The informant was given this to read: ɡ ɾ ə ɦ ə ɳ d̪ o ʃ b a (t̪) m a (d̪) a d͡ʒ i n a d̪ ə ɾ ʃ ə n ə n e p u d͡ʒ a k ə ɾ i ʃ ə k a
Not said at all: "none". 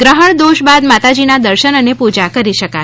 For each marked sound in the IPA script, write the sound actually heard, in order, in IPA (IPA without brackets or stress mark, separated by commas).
d̪, t̪